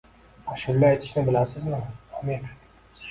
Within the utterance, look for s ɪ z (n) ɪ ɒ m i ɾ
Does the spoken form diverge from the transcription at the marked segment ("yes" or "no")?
yes